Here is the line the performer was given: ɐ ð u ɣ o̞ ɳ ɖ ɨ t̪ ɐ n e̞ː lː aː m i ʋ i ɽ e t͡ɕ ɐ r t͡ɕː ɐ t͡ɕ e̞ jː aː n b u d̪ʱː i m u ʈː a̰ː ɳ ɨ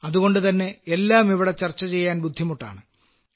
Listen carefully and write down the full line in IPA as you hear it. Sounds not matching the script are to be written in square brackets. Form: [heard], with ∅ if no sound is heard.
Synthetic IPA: ɐ ð u ɣ o̞ ɳ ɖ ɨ t̪ ɐ [nː] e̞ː lː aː m i ʋ i ɽ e t͡ɕ ɐ r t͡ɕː ɐ t͡ɕ e̞ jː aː n b u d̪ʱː i m u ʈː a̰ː ɳ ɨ